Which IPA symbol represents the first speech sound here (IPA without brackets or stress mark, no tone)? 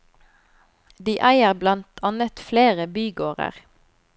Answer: d̪